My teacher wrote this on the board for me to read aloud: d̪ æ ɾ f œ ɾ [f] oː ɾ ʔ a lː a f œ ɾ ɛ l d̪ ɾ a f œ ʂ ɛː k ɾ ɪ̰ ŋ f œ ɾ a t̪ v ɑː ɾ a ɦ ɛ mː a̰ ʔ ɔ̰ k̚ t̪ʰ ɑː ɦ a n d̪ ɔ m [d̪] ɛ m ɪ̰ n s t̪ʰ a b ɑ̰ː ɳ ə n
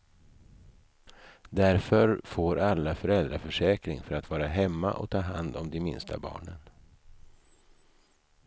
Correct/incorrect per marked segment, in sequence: correct, correct

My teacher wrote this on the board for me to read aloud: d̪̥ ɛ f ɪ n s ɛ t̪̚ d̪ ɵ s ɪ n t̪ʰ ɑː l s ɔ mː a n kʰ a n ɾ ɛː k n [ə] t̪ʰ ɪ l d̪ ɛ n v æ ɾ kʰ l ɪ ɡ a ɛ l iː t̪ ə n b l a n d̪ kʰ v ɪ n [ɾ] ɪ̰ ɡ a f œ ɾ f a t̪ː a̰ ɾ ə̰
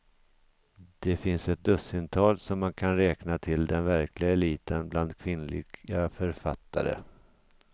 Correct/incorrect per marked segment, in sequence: incorrect: a, incorrect: l

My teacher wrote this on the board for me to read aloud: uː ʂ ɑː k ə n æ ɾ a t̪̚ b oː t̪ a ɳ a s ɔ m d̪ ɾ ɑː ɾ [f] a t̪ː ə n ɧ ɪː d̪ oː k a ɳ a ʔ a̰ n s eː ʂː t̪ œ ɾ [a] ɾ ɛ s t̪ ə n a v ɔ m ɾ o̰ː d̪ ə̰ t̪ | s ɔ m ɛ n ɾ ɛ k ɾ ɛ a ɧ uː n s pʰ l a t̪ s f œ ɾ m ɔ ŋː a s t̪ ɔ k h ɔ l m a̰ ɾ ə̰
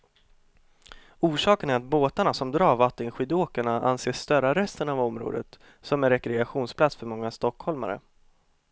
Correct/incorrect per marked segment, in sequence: incorrect: v, correct

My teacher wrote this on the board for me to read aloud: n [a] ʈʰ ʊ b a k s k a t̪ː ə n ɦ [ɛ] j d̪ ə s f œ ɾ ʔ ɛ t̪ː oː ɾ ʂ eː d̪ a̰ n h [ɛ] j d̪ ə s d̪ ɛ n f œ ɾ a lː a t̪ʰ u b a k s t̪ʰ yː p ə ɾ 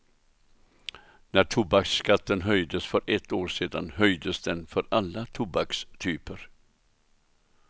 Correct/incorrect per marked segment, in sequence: incorrect: æ, incorrect: œ, incorrect: œ

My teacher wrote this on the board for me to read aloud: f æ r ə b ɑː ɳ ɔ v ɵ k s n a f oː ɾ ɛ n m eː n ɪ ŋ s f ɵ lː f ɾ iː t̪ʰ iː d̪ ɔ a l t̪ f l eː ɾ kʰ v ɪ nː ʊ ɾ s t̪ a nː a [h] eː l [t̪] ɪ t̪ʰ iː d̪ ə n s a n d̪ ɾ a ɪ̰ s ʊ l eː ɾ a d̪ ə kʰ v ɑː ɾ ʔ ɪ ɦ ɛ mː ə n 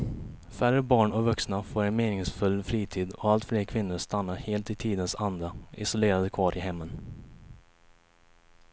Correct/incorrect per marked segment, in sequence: correct, correct

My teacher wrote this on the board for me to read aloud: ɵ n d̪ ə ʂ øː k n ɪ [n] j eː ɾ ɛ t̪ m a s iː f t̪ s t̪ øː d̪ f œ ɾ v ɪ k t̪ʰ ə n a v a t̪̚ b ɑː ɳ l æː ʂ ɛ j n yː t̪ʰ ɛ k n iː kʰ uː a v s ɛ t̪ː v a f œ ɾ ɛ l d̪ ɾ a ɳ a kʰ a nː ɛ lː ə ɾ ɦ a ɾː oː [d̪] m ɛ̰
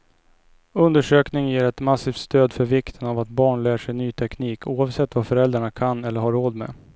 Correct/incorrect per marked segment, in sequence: incorrect: ŋ, correct

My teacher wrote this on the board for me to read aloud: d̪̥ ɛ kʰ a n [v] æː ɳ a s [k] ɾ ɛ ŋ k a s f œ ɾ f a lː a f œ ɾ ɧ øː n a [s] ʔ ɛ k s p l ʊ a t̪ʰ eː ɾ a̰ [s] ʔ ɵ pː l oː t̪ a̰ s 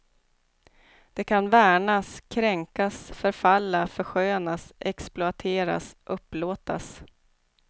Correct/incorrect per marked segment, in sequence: correct, incorrect: kʰ, correct, correct

